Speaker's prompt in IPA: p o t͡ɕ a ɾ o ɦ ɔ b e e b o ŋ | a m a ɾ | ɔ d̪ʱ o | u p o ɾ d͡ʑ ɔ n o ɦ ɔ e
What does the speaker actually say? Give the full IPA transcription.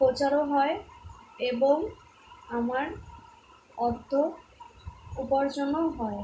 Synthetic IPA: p o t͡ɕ a ɾ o ɦ ɔ e e b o ŋ | a m a ɾ | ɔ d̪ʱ o | u p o ɾ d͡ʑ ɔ n o ɦ ɔ e